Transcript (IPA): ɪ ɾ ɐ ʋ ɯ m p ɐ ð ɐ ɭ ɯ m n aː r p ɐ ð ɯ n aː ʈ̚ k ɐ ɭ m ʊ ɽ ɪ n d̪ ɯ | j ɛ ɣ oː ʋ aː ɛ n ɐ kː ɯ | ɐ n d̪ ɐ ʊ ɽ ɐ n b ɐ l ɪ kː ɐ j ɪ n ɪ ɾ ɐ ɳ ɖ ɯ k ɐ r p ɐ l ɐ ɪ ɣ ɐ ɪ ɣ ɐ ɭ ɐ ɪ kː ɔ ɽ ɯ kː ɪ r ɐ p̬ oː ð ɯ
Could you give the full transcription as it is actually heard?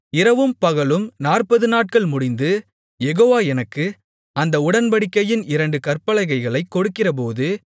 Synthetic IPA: ɪ ɾ ɐ ʋ ɯ m p ɐ ɣ ɐ ɭ ɯ m n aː r p ɐ ð ɯ n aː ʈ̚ k ɐ ɭ m ʊ ɽ ɪ n d̪ ɯ | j ɛ ɣ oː ʋ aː ɛ n ɐ kː ɯ | ɐ n d̪ ɐ ʊ ɽ ɐ n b ɐ ɽ ɪ kː ɐ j ɪ n ɪ ɾ ɐ ɳ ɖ ɯ k ɐ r p ɐ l ɐ ɪ ɣ ɐ ɪ ɣ ɐ ɭ ɐ ɪ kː ɔ ɽ ɯ kː ɪ r ɐ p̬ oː ð ɯ